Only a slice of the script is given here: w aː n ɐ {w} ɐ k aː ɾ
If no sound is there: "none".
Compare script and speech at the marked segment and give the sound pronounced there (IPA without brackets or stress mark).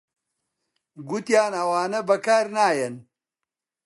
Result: b